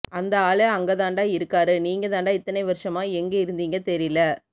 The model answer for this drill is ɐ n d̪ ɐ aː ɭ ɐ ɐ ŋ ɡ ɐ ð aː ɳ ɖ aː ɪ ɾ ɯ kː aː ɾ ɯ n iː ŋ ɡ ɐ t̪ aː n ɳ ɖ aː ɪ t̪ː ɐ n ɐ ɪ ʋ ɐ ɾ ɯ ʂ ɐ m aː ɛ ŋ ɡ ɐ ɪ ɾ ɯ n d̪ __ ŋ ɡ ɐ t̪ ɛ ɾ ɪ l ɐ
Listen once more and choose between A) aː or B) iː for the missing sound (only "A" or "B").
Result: B